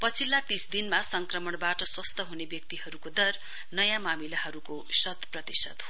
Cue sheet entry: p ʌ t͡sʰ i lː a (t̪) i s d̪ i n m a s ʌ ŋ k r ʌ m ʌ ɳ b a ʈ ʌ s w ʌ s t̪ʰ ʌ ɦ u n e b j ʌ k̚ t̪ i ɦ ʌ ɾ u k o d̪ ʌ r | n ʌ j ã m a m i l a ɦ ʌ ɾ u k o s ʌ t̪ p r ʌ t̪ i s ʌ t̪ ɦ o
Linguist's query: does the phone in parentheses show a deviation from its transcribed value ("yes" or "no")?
no